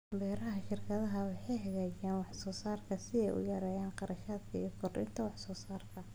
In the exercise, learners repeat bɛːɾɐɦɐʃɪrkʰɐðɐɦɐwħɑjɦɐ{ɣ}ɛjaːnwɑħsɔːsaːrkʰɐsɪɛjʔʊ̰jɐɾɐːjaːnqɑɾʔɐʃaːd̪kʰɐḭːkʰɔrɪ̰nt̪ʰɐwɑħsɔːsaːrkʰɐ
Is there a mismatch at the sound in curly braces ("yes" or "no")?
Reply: no